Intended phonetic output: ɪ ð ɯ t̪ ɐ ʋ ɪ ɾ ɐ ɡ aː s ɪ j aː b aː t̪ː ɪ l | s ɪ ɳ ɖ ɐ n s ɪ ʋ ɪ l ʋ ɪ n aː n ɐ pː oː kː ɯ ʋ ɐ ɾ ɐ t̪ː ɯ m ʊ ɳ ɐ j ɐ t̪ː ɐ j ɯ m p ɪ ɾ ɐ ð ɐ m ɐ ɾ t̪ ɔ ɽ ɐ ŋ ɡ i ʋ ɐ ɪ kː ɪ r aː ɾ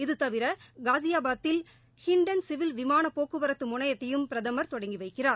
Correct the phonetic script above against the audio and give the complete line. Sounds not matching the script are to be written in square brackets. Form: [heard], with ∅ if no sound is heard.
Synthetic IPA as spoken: ɪ ð ɯ t̪ ɐ ʋ ɪ ɾ ɐ ɡ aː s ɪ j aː b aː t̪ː ɪ l | [h] ɪ ɳ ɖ ɐ n s ɪ ʋ ɪ l ʋ ɪ [m] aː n ɐ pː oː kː ɯ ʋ ɐ ɾ ɐ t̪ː ɯ m ʊ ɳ ɐ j ɐ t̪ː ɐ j ɯ m p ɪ ɾ ɐ ð ɐ m ɐ ɾ t̪ ɔ ɽ ɐ ŋ ɡ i ʋ ɐ ɪ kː ɪ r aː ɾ